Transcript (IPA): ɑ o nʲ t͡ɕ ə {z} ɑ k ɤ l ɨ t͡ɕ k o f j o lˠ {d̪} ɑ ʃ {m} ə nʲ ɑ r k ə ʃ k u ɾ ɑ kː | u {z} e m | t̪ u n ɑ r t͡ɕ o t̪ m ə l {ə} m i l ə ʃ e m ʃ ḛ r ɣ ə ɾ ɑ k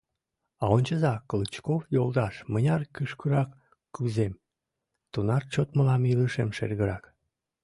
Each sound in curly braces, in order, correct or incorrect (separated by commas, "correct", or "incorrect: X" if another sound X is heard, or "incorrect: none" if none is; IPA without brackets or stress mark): correct, correct, correct, correct, incorrect: ɑ